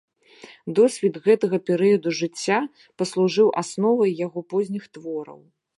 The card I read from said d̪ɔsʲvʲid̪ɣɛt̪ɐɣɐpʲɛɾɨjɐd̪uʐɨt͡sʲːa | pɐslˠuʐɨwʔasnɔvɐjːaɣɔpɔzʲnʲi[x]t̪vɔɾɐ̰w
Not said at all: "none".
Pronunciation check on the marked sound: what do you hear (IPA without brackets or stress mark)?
x